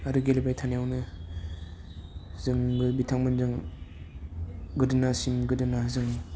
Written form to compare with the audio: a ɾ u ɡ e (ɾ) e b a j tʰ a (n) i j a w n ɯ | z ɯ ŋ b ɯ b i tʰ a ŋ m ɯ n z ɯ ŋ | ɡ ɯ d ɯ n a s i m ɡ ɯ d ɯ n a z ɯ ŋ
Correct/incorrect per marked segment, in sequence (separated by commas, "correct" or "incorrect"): incorrect, correct